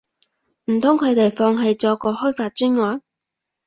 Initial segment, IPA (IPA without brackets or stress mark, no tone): m̩